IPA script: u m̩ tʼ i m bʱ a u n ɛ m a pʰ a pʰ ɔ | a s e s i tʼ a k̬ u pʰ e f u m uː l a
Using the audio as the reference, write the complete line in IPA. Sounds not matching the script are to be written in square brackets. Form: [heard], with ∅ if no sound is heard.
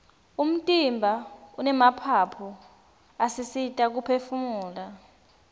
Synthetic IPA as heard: u m̩ tʼ i m bʱ a u n ɛ m a pʰ a pʰ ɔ | a s [i] s i tʼ a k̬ u pʰ e f u m uː l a